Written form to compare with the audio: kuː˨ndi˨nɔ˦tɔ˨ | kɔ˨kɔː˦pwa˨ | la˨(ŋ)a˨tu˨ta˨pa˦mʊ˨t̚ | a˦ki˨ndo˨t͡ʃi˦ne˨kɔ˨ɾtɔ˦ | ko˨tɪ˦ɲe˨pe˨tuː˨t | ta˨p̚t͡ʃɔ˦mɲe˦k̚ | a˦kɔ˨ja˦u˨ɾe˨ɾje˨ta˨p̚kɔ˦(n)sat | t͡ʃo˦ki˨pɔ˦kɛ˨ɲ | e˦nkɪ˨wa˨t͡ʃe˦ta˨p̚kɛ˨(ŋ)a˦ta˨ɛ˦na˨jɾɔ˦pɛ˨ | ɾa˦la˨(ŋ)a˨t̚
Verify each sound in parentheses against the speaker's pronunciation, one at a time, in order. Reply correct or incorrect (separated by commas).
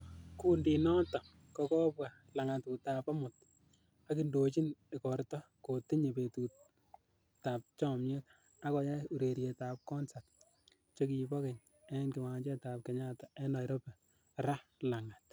correct, correct, incorrect, correct